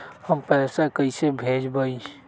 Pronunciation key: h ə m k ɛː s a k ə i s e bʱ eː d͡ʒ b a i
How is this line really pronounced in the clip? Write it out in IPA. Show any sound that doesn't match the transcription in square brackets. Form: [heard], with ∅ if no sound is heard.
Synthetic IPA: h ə m [p] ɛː s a k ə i s e bʱ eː d͡ʒ b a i

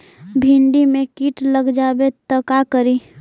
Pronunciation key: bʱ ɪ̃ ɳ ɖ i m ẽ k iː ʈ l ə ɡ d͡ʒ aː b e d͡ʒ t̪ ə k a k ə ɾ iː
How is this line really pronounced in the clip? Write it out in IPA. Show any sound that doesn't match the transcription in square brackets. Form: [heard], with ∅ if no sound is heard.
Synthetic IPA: bʱ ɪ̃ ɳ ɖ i m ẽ k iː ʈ l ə ɡ d͡ʒ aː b e [∅] t̪ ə k a k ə ɾ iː

